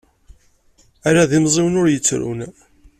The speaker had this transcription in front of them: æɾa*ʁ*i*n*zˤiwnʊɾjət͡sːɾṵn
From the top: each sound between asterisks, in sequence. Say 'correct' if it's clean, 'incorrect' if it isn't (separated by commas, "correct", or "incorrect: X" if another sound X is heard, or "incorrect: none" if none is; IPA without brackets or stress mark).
incorrect: ð, incorrect: m